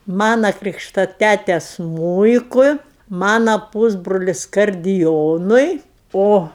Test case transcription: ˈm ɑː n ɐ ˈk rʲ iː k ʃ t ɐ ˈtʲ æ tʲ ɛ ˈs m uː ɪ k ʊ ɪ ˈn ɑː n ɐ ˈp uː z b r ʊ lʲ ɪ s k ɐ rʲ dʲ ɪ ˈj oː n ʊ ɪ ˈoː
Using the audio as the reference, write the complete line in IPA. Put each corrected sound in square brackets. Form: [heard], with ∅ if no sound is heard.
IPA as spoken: ˈm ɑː n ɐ ˈk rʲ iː k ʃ t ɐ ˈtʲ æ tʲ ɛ ˈs m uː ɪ k ʊ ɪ [ˈm] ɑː n ɐ ˈp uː z b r ʊ lʲ ɪ s k ɐ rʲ dʲ ɪ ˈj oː n ʊ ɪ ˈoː

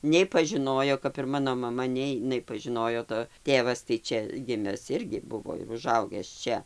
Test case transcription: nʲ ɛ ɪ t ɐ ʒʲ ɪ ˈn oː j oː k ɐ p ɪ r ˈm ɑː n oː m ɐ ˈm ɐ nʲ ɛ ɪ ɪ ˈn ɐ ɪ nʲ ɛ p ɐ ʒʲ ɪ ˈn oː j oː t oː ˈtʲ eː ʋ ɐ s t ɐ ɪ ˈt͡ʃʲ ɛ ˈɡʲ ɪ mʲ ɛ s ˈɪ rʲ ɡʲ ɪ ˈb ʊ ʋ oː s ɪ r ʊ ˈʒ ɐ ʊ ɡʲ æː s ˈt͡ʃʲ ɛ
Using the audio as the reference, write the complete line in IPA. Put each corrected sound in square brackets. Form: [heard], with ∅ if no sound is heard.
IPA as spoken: nʲ ɛ ɪ [p] ɐ ʒʲ ɪ ˈn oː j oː k ɐ p ɪ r ˈm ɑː n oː m ɐ ˈm ɐ nʲ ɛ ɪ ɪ ˈn ɐ ɪ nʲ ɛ p ɐ ʒʲ ɪ ˈn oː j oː t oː ˈtʲ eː ʋ ɐ s t ɐ ɪ ˈt͡ʃʲ ɛ ˈɡʲ ɪ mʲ ɛ s ˈɪ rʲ ɡʲ ɪ ˈb ʊ ʋ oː [∅] ɪ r ʊ ˈʒ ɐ ʊ ɡʲ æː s ˈt͡ʃʲ ɛ

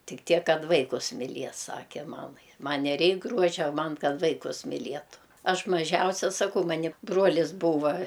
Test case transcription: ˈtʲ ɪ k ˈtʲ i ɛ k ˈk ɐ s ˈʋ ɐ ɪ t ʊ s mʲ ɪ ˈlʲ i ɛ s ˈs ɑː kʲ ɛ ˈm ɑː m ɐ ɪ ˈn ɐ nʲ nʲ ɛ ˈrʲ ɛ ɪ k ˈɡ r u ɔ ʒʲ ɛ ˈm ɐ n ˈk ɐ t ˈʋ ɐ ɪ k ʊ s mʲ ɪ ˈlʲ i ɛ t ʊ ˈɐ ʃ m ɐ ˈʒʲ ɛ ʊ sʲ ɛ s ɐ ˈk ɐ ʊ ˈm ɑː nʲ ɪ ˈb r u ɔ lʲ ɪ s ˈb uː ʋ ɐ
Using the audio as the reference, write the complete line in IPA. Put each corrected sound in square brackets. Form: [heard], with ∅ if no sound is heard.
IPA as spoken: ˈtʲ ɪ k ˈtʲ i ɛ k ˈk ɐ [t] ˈʋ ɐ ɪ [k] ʊ s mʲ ɪ ˈlʲ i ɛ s ˈs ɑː kʲ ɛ ˈm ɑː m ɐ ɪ [ˈm] ɐ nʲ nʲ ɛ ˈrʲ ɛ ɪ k ˈɡ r u ɔ ʒʲ ɛ ˈm ɐ n ˈk ɐ t ˈʋ ɐ ɪ k ʊ s mʲ ɪ ˈlʲ i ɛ t ʊ ˈɐ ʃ m ɐ ˈʒʲ ɛ ʊ sʲ ɛ s ɐ ˈk ɐ ʊ ˈm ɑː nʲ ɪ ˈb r u ɔ lʲ ɪ s ˈb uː ʋ ɐ

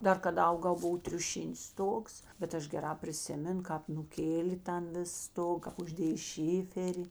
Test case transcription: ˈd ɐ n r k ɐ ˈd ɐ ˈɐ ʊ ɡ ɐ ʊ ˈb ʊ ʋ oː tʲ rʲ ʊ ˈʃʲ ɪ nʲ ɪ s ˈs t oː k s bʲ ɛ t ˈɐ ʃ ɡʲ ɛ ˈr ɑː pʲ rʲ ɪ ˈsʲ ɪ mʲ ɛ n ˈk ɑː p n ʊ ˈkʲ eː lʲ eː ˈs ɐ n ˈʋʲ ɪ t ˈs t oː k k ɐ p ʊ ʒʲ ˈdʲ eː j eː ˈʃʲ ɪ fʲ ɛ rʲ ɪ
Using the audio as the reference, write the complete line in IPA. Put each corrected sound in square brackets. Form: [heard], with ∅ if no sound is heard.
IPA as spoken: ˈd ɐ [∅] r k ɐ ˈd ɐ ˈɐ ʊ ɡ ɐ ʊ ˈb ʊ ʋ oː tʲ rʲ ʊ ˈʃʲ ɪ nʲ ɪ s ˈs t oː k s bʲ ɛ t ˈɐ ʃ ɡʲ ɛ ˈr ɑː pʲ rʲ ɪ ˈsʲ ɪ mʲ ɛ n ˈk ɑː p n ʊ ˈkʲ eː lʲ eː [ˈt] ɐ n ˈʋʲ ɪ [s] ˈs t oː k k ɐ p ʊ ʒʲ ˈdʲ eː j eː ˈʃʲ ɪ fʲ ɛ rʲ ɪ

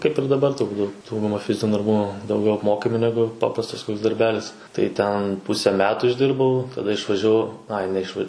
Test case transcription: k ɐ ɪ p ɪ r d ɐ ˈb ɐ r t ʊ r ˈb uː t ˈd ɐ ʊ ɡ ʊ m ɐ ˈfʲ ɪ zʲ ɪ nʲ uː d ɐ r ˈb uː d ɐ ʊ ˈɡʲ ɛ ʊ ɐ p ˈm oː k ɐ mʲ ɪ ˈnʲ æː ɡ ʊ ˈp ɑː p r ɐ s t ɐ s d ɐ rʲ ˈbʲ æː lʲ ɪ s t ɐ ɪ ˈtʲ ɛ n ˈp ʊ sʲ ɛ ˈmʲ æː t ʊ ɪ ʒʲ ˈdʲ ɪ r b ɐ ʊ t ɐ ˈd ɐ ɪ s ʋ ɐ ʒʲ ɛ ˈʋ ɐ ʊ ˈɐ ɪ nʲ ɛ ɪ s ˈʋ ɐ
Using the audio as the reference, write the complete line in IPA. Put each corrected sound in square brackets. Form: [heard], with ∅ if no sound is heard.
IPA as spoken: k ɐ ɪ p ɪ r d ɐ ˈb ɐ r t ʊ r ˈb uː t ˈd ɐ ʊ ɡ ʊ m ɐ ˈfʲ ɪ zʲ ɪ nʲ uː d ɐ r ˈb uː d ɐ ʊ ˈɡʲ ɛ ʊ ɐ p ˈm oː k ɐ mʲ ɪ ˈnʲ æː ɡ ʊ ˈp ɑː p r ɐ s t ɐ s d ɐ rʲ ˈbʲ æː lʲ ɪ s t ɐ ɪ ˈtʲ ɛ n ˈp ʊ sʲ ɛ ˈmʲ æː t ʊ ɪ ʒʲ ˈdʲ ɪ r b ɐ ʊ t ɐ ˈd ɐ ɪ [ʃ] ʋ ɐ ʒʲ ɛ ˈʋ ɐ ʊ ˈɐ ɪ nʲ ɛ ɪ [ʃ] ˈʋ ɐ

